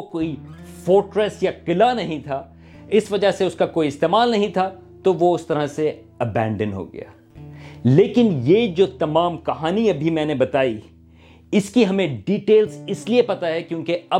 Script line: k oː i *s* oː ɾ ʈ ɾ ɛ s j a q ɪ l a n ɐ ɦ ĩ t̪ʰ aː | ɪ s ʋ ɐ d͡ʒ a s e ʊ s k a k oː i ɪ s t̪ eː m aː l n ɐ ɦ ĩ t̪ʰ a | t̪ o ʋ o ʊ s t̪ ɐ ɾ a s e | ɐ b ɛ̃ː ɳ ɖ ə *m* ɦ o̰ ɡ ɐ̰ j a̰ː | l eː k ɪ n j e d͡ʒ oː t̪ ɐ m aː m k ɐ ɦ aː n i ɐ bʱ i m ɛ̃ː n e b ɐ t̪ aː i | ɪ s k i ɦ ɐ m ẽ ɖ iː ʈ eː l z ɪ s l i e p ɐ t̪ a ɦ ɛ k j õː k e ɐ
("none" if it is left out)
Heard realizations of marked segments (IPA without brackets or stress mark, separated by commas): f, n